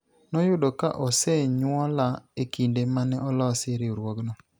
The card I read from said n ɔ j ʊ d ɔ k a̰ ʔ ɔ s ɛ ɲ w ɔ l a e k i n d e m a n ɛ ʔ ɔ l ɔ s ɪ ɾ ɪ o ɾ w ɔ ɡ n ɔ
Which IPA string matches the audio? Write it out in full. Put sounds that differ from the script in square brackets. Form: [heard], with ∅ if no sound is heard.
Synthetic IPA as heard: n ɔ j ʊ d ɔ k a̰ ʔ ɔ s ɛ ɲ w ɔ l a e k i n d e m a n ɛ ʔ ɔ l ɔ s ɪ ɾ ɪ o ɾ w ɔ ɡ n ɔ